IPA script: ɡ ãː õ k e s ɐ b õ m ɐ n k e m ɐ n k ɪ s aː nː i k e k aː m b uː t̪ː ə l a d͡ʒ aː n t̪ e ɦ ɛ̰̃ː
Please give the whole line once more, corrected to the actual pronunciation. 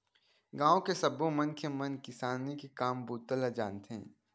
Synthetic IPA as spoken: ɡ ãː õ k e s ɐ b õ m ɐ n k e m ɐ n k ɪ s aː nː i k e k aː m b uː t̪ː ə l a d͡ʒ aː n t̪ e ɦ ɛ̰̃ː